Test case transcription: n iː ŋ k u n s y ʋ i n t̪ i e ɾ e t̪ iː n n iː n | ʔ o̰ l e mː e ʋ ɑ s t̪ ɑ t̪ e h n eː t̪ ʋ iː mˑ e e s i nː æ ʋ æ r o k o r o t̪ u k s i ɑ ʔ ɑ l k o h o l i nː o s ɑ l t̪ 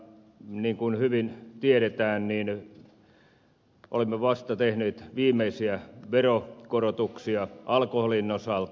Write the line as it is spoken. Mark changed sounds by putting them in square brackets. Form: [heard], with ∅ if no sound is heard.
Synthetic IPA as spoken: n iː ŋ k u n [h] y ʋ i n t̪ i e ɾ e t̪ [æː] n n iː n | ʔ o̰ l e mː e ʋ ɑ s t̪ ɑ t̪ e h n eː t̪ ʋ iː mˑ e [i] s i [∅] æ ʋ [e] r o k o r o t̪ u k s i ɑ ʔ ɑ l k o h o l i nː o s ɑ l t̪